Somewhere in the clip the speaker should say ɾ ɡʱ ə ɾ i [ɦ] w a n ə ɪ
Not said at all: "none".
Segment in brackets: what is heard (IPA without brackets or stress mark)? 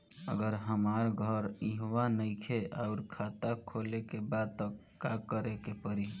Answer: ɦ